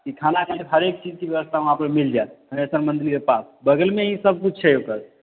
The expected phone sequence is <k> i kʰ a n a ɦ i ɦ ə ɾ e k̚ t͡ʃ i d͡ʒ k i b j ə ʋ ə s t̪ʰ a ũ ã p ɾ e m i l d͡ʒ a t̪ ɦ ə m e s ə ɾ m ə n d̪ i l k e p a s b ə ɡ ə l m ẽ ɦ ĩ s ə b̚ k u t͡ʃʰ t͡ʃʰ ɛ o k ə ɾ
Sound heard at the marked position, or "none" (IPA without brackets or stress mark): k